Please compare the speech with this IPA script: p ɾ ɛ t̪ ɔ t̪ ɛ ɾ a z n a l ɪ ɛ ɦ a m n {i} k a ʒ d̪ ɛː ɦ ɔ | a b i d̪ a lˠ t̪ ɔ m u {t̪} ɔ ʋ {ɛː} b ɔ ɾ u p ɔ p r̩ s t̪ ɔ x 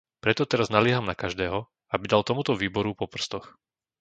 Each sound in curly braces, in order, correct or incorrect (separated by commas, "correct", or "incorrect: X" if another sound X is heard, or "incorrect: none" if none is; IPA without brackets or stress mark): incorrect: a, correct, incorrect: iː